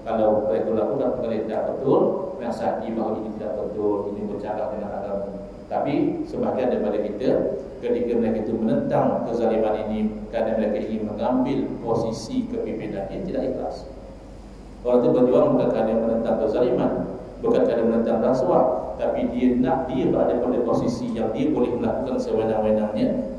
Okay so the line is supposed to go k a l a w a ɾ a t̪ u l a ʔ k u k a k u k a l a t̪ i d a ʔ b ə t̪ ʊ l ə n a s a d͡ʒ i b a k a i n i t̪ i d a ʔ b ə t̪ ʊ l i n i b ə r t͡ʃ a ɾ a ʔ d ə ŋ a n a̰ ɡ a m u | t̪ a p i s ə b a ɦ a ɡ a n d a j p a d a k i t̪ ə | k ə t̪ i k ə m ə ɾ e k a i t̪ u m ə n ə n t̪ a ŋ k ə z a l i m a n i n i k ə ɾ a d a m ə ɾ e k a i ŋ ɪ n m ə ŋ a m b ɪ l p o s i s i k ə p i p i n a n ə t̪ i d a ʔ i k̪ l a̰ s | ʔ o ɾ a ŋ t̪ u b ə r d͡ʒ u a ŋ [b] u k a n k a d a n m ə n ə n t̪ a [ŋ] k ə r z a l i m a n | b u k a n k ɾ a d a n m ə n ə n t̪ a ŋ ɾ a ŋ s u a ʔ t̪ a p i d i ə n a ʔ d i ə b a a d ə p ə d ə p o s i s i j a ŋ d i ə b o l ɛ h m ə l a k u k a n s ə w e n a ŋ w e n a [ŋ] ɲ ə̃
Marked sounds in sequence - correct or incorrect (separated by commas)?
correct, correct, correct